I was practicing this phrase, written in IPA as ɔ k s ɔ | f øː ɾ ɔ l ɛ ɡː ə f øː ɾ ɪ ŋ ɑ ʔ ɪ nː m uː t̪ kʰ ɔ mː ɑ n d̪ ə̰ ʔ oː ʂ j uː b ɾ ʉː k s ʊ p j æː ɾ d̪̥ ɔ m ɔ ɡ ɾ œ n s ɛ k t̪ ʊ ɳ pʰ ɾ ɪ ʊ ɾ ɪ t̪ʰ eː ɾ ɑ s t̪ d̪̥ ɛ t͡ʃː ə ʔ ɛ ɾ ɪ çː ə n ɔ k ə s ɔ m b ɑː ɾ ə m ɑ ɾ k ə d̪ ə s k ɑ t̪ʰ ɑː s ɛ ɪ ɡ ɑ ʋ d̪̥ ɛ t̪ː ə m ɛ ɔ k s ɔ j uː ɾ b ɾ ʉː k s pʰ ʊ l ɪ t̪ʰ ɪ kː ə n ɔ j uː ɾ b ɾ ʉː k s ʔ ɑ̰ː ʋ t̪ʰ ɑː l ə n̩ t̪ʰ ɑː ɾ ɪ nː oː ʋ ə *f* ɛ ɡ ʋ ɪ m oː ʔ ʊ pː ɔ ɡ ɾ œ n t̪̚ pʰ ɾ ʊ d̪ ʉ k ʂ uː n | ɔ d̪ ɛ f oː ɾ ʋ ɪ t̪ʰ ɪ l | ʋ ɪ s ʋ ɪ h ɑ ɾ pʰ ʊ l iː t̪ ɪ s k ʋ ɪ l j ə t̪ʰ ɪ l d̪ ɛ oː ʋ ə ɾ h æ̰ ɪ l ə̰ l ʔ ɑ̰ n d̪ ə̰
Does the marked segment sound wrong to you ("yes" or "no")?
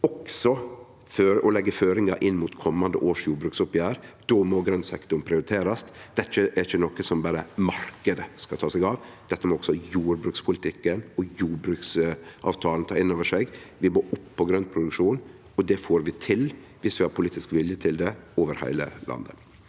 yes